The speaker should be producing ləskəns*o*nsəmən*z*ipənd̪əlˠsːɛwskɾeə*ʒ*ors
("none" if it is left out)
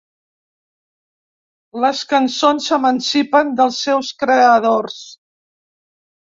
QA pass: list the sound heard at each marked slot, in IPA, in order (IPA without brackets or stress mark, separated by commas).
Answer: o, s, ð